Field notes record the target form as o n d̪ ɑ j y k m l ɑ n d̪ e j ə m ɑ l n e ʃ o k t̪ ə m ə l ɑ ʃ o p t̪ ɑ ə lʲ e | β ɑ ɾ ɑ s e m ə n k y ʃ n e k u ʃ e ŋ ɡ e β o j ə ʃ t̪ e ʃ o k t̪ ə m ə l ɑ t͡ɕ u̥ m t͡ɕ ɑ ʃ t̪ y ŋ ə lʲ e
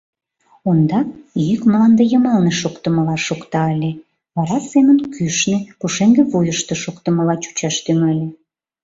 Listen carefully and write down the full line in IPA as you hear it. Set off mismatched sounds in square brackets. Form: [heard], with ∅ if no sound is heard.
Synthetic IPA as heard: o n d̪ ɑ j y k m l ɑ n d̪ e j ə m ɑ l n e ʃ o k t̪ ə m ə l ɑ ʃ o [k] t̪ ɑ ə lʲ e | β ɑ ɾ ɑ s e m ə n k y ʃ n e k u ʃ e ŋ ɡ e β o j ə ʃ t̪ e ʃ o k t̪ ə m ə l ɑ t͡ɕ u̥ [∅] t͡ɕ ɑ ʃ t̪ y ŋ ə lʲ e

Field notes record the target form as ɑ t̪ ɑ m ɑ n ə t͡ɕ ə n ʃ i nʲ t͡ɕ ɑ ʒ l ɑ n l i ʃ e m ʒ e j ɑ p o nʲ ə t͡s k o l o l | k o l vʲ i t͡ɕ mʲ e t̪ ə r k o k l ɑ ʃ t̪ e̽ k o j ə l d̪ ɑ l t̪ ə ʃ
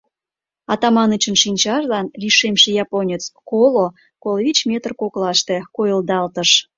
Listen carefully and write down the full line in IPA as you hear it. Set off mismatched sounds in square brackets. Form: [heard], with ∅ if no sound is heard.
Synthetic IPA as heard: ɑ t̪ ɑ m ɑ n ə t͡ɕ ə n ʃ i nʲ t͡ɕ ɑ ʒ l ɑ n l i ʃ e m [ʃ] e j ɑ p o nʲ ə t͡s k o l o [∅] | k o l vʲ i t͡ɕ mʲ e t̪ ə r k o k l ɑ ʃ t̪ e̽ k o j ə l d̪ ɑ l t̪ ə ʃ

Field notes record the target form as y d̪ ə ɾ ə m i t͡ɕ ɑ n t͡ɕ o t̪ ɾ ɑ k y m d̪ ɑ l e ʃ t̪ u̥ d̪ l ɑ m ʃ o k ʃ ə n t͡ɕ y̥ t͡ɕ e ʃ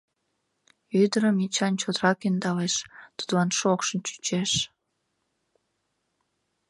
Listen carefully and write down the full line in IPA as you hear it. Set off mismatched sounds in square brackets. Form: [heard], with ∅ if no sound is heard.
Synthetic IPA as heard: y d̪ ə ɾ ə m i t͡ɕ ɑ n t͡ɕ o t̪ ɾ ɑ k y [n] d̪ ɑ l e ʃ t̪ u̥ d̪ l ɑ [n] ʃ o k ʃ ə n t͡ɕ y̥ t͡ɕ e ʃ

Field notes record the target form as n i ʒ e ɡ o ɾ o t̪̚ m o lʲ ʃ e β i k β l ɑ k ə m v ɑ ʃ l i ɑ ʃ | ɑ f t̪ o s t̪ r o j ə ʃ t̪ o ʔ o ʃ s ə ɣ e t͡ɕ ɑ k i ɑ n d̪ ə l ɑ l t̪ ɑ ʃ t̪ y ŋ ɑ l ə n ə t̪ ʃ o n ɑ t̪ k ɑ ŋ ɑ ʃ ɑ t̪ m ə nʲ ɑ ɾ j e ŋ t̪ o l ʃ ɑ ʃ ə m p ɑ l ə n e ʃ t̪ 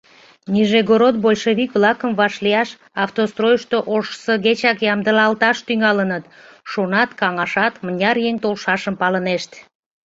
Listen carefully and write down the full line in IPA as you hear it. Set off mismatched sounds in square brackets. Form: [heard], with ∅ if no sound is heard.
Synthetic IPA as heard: n i ʒ e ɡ o ɾ o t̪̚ [b] o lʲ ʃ e β i k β l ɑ k ə m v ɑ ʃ l i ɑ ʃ | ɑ f t̪ o s t̪ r o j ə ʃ t̪ o ʔ o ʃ s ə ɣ e t͡ɕ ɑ k [j] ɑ [m] d̪ ə l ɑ l t̪ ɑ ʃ t̪ y ŋ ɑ l ə n ə t̪ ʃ o n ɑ t̪ k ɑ ŋ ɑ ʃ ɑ t̪ m ə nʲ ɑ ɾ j e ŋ t̪ o l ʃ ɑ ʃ ə m p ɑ l ə n e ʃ t̪

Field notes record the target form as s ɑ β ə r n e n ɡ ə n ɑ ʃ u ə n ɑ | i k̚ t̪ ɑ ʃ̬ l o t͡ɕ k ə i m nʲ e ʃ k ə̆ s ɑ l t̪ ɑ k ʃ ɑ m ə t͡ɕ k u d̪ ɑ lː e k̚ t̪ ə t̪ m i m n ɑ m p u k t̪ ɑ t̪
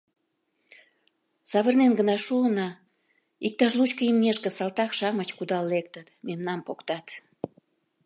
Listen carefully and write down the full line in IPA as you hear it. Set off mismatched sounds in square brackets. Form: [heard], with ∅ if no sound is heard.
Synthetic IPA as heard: s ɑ β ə r n e n ɡ ə n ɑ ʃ u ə n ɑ | i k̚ t̪ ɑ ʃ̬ l [u] t͡ɕ k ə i m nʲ e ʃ k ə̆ s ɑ l t̪ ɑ k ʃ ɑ m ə t͡ɕ k u d̪ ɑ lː e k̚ t̪ ə t̪ m [e] m n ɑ m p [o] k t̪ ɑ t̪

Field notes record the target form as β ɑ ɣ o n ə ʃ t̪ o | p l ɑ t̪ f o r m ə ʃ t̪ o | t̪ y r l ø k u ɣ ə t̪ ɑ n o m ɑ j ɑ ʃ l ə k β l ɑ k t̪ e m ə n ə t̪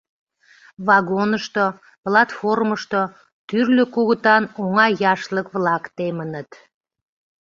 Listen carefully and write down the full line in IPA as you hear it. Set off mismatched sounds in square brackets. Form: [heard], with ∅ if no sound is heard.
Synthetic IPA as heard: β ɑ ɣ o n ə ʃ t̪ o | p l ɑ t̪ f o r m ə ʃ t̪ o | t̪ y r l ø k u ɣ ə t̪ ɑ n o [ŋ] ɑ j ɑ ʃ l ə k β l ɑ k t̪ e m ə n ə t̪

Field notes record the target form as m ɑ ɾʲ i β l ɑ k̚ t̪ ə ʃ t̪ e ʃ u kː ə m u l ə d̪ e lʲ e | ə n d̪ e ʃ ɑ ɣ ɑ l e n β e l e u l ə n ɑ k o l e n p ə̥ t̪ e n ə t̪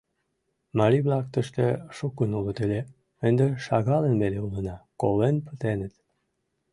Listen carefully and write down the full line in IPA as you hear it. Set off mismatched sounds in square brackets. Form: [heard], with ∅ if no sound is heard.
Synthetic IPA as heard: m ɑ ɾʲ i β l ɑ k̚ t̪ ə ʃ t̪ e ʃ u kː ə [n] u l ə [t̪] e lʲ e | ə n d̪ e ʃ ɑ ɣ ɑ l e n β e l e u l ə n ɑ k o l e n p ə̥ t̪ e n ə t̪

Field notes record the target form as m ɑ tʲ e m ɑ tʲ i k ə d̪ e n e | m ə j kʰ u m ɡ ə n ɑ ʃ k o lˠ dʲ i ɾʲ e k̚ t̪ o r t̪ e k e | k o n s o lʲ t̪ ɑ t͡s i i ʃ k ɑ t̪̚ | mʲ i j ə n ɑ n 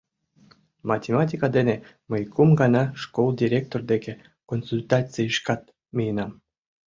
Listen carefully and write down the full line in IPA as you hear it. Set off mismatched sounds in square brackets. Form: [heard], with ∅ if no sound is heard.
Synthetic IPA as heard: m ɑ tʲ e m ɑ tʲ i k [ɑ] d̪ e n e | m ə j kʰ u m ɡ [ɑ] n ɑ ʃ k o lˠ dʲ i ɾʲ e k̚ t̪ o r [d̪] e k e | k o n s [u] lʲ t̪ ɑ t͡s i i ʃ k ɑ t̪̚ | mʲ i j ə n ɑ [m]

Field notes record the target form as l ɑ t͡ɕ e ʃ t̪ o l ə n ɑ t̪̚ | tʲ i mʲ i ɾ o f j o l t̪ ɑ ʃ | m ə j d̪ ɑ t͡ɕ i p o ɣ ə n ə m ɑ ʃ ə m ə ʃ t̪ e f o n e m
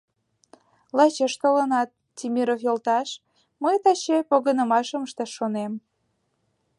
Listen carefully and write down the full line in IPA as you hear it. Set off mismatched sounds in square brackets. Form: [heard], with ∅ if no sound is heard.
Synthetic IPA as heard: l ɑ t͡ɕ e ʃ t̪ o l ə n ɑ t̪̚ | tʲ i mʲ i ɾ o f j o l t̪ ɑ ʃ | m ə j [t̪] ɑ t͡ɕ [e] p o ɣ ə n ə m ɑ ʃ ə m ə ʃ t̪ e [ʃ] o n e m

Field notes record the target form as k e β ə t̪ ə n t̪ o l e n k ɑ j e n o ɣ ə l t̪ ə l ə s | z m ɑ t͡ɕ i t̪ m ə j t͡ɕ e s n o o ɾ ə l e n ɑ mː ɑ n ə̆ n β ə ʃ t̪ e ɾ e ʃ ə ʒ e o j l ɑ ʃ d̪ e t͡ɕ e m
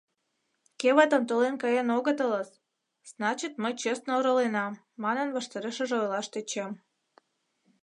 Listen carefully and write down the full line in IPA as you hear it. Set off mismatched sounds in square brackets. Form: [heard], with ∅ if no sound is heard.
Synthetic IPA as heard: k e β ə t̪ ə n t̪ o l e n k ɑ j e n o ɣ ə [∅] t̪ ə l ə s | z [n] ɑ t͡ɕ i t̪ m ə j t͡ɕ e s n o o ɾ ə l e n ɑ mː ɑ n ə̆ n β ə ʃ t̪ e ɾ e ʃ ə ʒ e o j l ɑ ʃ [t̪] e t͡ɕ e m

